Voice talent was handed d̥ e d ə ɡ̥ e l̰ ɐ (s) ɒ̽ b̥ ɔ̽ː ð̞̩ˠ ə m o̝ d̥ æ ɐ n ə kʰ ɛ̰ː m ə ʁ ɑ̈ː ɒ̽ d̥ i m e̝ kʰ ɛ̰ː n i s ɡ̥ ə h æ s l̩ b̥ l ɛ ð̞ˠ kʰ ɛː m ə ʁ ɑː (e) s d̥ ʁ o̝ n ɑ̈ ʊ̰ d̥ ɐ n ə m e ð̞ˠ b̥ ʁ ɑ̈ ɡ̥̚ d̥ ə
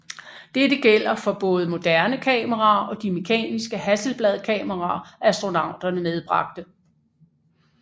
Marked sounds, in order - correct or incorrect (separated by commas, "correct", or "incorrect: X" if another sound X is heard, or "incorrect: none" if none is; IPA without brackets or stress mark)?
incorrect: f, incorrect: æ